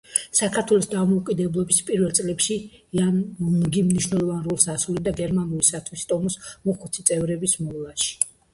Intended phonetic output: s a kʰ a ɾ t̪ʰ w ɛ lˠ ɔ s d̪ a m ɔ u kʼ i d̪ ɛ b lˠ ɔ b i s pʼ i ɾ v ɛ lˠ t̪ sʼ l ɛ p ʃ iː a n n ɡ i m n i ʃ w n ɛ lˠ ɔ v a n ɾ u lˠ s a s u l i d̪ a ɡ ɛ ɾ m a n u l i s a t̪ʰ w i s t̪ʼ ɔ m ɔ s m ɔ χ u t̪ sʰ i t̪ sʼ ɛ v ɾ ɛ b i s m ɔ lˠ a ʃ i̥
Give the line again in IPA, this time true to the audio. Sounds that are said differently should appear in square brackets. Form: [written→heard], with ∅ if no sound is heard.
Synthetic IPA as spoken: s a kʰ a ɾ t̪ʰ w ɛ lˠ ɔ s d̪ a m ɔ u kʼ i d̪ ɛ b lˠ ɔ b i s pʼ i ɾ v ɛ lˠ t̪ sʼ l ɛ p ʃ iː a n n ɡ i m n i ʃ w n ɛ lˠ ɔ v a n ɾ u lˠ s a s u l i d̪ a ɡ ɛ ɾ m a n u l i s a t̪ʰ w i s t̪ʼ ɔ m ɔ s m ɔ χ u t̪ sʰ i t̪ sʼ ɛ v ɾ ɛ b i s m ɔ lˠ a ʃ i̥